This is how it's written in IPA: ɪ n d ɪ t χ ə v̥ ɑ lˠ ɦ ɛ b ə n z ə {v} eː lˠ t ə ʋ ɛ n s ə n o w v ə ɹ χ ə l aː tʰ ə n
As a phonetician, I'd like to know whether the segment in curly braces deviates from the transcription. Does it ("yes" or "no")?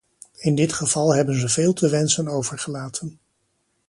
no